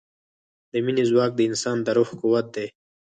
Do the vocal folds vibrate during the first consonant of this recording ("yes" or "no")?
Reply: yes